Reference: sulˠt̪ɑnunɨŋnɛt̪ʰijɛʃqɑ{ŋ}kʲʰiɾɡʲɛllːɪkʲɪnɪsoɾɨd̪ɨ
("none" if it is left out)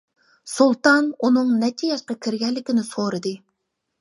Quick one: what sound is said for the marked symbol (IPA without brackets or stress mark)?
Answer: none